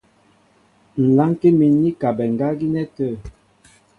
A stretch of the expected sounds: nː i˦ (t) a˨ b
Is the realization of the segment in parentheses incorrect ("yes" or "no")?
yes